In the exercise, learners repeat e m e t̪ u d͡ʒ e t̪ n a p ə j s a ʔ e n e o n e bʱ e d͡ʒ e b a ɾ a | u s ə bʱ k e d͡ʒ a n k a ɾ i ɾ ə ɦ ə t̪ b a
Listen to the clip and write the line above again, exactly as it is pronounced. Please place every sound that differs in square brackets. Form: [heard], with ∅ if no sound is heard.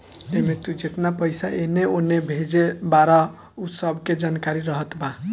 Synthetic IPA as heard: e m e t̪ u d͡ʒ e t̪ n a p ə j s a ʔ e n e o n e bʱ e d͡ʒ e b a ɾ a | u s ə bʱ k e d͡ʒ a n k a ɾ i ɾ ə ɦ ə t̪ b a